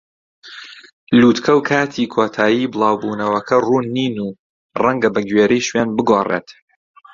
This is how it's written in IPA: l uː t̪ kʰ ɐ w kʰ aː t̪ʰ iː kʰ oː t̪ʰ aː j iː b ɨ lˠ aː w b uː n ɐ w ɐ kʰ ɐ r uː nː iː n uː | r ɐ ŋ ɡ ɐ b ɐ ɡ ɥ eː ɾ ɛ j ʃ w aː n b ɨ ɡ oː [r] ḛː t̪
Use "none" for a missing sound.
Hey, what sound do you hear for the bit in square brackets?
r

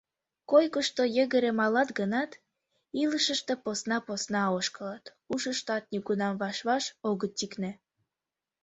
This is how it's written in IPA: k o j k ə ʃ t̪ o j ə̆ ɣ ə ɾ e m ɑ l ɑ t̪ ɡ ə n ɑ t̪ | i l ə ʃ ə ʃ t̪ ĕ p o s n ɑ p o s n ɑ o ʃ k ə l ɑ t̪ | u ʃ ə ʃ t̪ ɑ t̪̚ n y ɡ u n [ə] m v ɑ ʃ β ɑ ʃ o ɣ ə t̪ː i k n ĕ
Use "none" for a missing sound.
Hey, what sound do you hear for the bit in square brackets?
ɑ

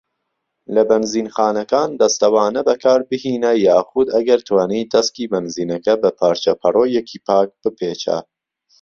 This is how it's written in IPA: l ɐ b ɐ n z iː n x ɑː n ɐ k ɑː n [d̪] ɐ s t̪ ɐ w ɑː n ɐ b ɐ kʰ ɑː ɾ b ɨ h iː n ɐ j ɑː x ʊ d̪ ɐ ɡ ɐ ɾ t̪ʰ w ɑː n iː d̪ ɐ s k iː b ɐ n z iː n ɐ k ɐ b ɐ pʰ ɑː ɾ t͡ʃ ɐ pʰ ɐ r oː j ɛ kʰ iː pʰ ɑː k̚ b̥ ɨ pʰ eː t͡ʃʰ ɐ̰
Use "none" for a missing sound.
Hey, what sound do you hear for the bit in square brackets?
d̪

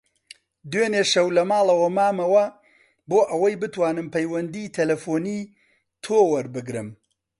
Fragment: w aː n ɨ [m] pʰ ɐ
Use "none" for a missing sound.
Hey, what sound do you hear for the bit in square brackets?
m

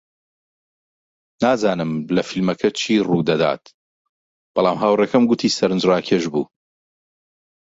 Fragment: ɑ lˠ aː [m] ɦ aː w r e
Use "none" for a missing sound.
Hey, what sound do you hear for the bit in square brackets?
m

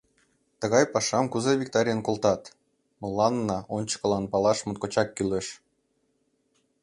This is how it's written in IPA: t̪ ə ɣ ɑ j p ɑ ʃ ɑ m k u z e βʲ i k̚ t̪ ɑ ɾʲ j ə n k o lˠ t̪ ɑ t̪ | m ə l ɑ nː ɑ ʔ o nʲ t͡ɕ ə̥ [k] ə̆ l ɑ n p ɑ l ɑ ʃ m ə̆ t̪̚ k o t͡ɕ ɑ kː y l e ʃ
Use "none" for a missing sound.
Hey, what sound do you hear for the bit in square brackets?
k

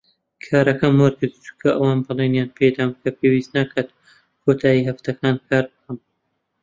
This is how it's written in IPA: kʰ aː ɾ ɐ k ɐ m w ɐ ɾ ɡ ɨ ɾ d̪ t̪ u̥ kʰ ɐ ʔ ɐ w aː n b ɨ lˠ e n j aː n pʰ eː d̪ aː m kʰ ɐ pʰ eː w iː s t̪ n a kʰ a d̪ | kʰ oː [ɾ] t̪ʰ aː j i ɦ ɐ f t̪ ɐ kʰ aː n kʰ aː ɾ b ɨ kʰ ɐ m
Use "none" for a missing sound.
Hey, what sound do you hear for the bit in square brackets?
none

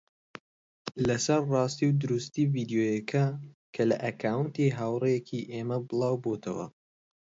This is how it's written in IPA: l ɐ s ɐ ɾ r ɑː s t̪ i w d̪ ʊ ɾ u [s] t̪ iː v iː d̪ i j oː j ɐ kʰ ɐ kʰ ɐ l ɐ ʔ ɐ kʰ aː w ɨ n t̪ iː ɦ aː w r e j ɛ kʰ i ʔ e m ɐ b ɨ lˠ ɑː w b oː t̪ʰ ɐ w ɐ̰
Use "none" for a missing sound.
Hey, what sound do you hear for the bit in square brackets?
s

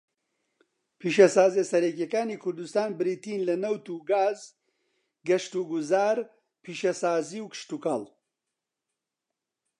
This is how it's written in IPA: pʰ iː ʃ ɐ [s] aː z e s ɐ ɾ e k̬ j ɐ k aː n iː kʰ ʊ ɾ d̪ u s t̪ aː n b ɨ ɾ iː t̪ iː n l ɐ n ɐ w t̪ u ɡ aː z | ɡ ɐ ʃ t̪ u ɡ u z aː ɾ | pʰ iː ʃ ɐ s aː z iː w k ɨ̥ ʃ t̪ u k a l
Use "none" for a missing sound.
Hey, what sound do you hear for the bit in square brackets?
s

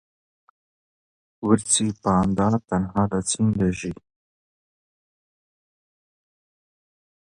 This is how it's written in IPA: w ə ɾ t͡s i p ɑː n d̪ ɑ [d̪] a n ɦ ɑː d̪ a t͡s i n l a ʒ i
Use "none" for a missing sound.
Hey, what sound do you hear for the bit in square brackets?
t̪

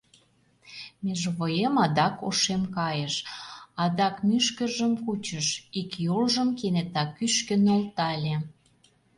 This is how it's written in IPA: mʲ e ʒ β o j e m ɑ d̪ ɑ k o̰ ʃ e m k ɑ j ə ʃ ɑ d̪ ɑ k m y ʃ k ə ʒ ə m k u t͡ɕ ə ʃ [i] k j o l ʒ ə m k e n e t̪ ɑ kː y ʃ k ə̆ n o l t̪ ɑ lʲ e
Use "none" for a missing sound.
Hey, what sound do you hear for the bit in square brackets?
i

